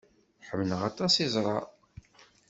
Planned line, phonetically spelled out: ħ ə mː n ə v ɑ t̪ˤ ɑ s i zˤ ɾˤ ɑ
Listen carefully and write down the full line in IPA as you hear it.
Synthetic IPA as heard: ħ ə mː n ə ʁ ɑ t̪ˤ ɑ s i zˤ ɾˤ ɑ